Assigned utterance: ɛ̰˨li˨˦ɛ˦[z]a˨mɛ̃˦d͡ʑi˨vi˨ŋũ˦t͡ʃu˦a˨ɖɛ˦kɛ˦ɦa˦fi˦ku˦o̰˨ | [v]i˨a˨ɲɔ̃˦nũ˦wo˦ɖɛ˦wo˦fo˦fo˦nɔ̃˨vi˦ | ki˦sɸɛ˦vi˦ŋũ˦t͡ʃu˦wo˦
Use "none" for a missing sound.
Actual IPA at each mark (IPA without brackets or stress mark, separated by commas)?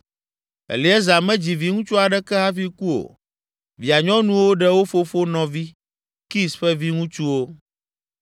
z, v